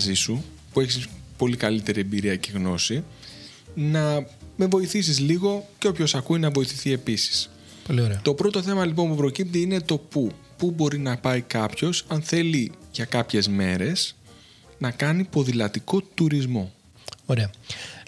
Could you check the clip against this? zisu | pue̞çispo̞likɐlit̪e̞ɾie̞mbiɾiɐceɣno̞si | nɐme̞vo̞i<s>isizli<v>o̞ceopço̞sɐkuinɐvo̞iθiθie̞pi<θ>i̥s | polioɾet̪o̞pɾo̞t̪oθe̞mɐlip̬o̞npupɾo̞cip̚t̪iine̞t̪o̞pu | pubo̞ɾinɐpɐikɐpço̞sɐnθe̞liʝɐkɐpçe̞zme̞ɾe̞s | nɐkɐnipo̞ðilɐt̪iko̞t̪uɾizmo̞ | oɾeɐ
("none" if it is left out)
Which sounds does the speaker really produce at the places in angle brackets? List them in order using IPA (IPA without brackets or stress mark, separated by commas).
θ, ɣ, s